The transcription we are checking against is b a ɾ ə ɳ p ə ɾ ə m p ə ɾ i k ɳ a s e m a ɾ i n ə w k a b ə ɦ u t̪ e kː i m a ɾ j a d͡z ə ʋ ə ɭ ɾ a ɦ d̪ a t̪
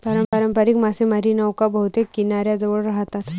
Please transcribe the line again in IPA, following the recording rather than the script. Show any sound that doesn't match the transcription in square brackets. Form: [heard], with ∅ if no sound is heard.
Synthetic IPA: [p] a ɾ ə [m] p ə ɾ ə m p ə ɾ i k [m] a s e m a ɾ i n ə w k a b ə ɦ u t̪ e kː i [n] a ɾ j a d͡z ə ʋ ə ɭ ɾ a ɦ [t̪] a t̪